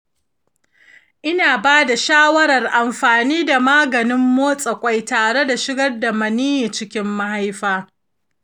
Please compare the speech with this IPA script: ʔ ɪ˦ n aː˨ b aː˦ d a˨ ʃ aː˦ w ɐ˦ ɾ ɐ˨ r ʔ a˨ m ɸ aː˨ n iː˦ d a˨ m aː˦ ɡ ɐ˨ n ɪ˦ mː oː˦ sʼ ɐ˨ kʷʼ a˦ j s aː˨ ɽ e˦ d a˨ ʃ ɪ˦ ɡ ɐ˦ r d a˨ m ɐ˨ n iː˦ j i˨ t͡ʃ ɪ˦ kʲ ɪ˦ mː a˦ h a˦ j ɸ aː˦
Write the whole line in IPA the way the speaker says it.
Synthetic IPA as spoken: ʔ ɪ˦ n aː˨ b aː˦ d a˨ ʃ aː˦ w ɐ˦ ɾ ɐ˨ r ʔ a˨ m ɸ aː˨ n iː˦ d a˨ m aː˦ ɡ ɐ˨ n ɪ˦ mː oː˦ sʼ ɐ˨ kʷʼ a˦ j t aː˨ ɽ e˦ d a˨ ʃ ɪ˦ ɡ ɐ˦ r d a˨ m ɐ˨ n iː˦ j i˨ t͡ʃ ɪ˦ kʲ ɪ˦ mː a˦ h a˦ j ɸ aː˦